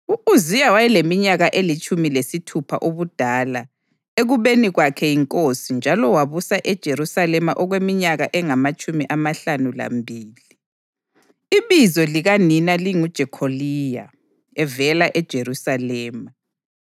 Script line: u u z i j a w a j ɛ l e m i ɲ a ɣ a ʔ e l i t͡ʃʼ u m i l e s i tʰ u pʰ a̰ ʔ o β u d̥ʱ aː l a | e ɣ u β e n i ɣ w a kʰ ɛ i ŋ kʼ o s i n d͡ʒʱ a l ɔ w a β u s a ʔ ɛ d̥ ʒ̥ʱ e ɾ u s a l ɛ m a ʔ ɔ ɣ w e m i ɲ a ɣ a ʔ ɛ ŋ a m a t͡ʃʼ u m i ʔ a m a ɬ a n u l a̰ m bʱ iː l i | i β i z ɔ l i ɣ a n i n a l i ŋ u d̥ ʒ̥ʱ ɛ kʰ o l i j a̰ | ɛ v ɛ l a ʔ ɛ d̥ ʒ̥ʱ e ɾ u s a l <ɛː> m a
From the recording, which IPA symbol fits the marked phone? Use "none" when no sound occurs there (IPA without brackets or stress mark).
ɛː